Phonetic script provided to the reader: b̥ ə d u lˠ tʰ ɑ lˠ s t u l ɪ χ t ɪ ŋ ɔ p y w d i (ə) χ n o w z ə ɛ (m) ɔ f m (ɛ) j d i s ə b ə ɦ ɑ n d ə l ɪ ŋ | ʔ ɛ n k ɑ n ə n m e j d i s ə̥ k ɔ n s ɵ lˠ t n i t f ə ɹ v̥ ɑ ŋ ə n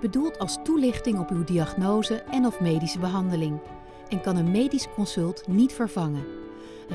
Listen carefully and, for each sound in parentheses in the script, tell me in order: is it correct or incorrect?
incorrect: ɑ, incorrect: n, incorrect: e

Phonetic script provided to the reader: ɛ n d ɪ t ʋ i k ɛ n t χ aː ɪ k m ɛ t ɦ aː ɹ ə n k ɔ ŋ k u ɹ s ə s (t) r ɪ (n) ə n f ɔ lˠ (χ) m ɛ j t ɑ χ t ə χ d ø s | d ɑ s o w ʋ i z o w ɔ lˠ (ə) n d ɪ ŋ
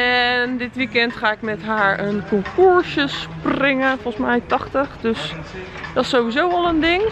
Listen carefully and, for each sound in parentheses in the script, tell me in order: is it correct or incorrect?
incorrect: p, incorrect: ŋ, incorrect: s, correct

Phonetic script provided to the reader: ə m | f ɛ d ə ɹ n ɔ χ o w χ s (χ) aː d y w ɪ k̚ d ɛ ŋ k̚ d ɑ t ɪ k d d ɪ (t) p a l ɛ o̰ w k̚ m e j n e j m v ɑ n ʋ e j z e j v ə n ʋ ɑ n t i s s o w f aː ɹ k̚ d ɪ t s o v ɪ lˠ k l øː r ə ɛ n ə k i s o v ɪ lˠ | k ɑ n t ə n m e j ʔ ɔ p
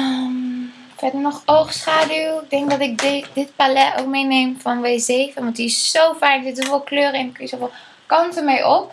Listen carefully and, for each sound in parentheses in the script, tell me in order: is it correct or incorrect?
correct, correct

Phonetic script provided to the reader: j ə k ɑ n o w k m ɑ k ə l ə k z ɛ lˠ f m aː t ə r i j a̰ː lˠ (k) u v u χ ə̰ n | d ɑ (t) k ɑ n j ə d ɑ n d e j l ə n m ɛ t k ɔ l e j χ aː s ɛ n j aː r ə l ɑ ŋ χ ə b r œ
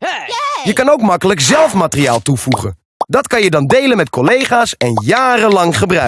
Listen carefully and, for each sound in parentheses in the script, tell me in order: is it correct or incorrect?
incorrect: t, correct

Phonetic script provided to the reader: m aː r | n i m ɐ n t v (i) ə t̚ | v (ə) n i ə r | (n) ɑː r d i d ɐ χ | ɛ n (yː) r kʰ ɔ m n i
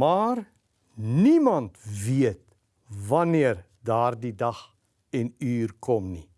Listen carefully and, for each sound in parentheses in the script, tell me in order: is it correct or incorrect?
correct, incorrect: ɐ, incorrect: d, correct

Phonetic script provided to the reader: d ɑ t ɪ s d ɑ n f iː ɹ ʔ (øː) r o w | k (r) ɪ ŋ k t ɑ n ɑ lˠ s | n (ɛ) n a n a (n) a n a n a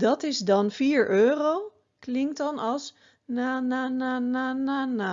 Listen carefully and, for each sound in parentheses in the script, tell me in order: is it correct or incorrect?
correct, incorrect: l, incorrect: a, correct

